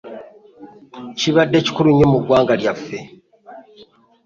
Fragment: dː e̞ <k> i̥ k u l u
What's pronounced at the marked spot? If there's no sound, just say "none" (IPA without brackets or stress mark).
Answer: c